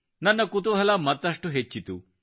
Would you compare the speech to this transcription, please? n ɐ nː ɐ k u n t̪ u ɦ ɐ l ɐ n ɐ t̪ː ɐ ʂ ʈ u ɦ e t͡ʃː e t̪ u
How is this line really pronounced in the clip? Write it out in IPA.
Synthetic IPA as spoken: n ɐ nː ɐ k u t̪ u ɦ ɐ l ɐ m ɐ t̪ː ɐ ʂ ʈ u ɦ e t͡ʃː i t̪ u